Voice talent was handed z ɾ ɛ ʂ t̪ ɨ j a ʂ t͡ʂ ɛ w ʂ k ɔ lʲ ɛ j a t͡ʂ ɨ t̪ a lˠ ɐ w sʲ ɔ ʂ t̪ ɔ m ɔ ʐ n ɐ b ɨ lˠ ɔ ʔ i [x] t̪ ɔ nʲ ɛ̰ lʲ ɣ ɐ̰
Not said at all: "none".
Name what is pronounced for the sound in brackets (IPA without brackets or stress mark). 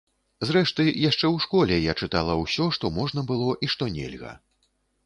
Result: ʂ